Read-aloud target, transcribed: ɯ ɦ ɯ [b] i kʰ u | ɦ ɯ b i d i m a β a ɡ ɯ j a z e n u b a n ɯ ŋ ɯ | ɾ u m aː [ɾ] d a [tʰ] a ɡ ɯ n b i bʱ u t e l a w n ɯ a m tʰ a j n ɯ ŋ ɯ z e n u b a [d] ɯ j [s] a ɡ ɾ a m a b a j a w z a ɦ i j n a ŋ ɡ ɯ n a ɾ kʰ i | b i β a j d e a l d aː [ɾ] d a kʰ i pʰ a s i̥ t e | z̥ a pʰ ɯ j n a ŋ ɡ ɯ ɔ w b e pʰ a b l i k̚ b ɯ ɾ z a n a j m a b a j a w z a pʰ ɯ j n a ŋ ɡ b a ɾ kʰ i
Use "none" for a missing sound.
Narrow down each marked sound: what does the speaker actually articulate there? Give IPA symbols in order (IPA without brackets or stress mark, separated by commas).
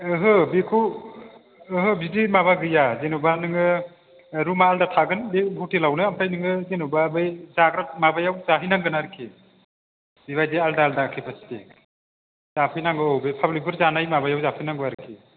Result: b, l, tʰ, b, z, l